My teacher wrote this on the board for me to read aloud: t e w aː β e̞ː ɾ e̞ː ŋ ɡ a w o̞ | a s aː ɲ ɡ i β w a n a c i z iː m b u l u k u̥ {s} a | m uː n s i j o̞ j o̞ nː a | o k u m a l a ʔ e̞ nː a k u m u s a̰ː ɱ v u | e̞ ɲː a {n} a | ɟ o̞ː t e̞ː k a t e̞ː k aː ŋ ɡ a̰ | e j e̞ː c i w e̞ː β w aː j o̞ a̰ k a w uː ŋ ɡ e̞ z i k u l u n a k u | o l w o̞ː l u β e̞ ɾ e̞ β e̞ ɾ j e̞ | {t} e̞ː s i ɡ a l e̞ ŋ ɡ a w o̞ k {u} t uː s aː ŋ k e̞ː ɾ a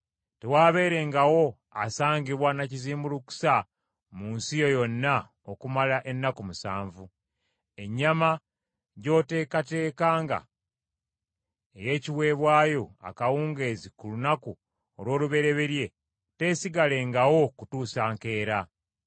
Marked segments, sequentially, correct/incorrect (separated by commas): correct, incorrect, correct, correct